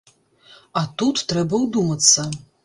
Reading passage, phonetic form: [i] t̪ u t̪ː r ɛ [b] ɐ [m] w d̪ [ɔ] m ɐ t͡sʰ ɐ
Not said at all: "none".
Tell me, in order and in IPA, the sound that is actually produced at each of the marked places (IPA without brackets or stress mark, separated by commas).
a, b, none, u